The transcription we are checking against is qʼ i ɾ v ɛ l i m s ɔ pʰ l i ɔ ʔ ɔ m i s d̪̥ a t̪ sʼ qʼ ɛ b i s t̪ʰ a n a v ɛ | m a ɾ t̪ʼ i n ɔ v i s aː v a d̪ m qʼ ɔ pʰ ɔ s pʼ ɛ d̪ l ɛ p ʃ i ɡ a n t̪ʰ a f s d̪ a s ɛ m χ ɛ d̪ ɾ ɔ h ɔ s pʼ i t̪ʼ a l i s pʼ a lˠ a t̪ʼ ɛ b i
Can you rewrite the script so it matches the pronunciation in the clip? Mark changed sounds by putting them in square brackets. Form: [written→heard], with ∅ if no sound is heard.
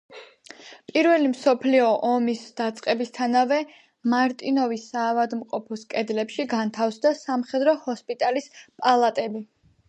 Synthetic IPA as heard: [qʼ→pʼ] i ɾ v ɛ l i m s ɔ pʰ l i ɔ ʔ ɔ m i s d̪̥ a t̪ sʼ qʼ ɛ b i s t̪ʰ a n a v ɛ | m a ɾ t̪ʼ i n ɔ v i s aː v a d̪ m qʼ ɔ pʰ ɔ s [pʼ→kʼ] ɛ d̪ l ɛ p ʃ i ɡ a n t̪ʰ a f s d̪ a s [ɛ→a] m χ ɛ d̪ ɾ ɔ h ɔ s pʼ i t̪ʼ a l i s pʼ a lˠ a t̪ʼ ɛ b i